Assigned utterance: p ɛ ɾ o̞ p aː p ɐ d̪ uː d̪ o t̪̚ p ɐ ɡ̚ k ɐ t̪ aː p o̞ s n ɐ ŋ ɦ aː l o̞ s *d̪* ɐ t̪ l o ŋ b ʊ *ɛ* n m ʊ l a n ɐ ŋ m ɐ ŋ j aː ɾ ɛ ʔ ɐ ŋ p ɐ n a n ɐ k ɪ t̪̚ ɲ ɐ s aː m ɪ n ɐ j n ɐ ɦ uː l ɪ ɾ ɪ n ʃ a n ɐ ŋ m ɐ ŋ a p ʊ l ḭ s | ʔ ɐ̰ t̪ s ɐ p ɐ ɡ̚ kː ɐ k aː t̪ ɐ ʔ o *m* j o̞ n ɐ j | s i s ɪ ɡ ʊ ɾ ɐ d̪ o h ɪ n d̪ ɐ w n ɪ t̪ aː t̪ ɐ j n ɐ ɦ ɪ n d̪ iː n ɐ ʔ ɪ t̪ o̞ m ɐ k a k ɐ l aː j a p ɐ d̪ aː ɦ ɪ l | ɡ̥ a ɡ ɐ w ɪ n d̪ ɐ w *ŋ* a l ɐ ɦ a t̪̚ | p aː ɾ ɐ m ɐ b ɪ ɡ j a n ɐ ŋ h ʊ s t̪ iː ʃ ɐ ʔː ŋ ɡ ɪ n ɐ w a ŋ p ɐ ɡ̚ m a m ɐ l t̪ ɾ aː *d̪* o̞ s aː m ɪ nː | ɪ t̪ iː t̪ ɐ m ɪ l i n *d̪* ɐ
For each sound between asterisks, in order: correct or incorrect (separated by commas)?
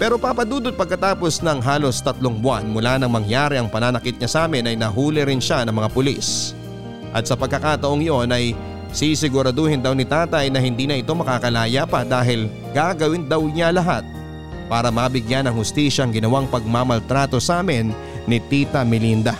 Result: incorrect, incorrect, incorrect, incorrect, incorrect, correct